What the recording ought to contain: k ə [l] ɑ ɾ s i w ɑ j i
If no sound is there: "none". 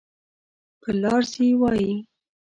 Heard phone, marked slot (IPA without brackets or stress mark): l